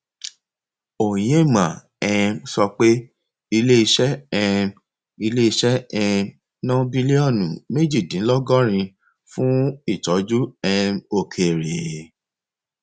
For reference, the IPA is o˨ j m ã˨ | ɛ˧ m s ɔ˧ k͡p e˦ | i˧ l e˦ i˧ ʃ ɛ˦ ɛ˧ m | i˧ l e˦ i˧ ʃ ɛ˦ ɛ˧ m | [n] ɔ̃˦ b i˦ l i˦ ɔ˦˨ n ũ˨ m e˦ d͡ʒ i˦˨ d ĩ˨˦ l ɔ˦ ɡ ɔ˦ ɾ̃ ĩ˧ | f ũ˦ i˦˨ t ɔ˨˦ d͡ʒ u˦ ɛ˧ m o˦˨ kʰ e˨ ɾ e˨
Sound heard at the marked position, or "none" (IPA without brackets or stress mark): n